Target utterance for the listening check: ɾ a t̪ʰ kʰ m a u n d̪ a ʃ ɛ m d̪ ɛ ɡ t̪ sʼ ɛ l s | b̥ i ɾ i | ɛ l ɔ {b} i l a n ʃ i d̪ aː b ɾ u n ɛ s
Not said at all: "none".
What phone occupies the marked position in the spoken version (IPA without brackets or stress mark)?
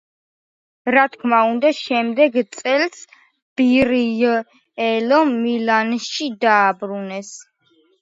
m